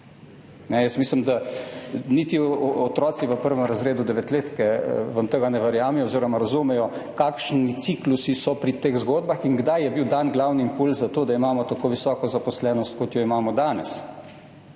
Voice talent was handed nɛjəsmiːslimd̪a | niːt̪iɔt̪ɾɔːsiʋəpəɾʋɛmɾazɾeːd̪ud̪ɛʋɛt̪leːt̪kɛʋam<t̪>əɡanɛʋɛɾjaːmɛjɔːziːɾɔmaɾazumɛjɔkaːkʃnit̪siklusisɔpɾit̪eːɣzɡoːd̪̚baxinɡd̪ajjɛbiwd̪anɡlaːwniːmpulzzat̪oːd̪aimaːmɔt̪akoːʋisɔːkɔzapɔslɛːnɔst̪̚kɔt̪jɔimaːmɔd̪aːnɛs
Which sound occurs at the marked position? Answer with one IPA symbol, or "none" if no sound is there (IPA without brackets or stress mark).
t̪